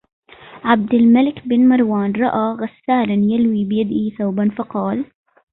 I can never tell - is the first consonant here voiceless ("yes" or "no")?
no